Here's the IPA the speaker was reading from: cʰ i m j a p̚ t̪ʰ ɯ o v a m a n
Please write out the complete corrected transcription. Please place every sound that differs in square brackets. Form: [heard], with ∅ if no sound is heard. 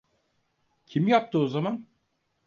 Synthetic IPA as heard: cʰ i m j a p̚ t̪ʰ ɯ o [z] a m a n